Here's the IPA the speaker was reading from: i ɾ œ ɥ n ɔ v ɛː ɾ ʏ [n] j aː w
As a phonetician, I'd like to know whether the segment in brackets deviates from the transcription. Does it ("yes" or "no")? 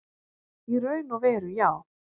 yes